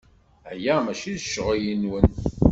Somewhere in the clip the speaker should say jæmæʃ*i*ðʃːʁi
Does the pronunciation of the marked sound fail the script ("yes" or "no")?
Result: no